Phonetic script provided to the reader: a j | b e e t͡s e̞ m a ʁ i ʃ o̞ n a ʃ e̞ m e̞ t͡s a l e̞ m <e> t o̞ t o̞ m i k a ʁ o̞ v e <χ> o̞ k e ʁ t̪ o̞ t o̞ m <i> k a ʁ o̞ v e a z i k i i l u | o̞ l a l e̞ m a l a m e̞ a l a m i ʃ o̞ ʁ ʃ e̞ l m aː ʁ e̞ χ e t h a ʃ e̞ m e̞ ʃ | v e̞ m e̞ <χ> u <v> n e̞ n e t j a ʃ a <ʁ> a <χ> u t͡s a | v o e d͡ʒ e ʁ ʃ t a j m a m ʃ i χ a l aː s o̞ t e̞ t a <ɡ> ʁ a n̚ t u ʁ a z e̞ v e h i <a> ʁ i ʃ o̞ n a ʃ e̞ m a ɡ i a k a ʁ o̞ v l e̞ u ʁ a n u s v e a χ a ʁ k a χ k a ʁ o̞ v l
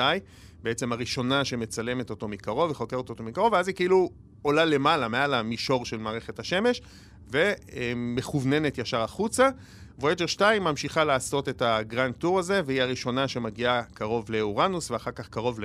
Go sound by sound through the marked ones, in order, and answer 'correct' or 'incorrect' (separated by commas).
correct, correct, correct, correct, correct, correct, correct, correct, correct